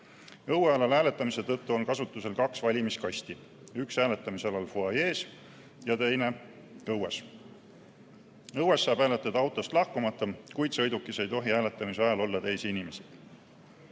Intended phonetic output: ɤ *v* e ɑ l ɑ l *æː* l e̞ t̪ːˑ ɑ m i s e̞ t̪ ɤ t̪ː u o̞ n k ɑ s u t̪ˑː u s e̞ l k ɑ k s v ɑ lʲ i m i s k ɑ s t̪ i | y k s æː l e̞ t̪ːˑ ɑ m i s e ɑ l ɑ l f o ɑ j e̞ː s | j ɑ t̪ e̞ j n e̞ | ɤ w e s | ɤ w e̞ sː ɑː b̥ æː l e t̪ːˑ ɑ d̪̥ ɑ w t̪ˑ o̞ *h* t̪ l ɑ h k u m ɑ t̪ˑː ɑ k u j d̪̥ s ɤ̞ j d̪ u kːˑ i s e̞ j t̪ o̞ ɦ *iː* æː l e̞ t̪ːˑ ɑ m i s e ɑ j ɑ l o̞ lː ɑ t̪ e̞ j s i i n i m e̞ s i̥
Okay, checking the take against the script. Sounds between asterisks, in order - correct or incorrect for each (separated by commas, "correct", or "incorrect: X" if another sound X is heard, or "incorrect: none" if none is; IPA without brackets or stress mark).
incorrect: w, correct, incorrect: s, incorrect: i